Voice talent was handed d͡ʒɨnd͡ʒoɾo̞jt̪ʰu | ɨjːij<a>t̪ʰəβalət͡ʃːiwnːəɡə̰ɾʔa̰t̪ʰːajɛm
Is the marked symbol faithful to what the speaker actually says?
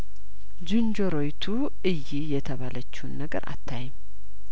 no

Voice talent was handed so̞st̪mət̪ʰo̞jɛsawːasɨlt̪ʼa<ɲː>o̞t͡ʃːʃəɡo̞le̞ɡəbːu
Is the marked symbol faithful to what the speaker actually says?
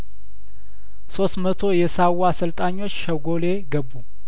yes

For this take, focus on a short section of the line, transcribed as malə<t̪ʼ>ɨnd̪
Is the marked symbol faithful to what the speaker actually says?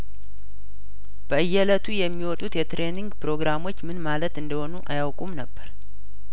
no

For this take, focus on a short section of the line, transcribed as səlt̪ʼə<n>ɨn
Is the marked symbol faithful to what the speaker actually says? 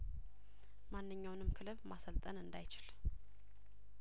yes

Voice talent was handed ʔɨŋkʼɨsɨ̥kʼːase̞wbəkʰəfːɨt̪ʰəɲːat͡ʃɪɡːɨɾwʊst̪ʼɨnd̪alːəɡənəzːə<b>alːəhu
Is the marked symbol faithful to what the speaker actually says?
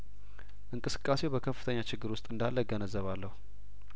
no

